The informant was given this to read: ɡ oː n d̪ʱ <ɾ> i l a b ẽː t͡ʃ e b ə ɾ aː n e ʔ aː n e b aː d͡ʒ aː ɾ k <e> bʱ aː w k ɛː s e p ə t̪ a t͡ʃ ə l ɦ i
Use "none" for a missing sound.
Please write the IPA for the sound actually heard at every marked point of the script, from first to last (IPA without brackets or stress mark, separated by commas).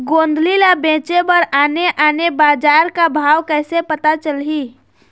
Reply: l, a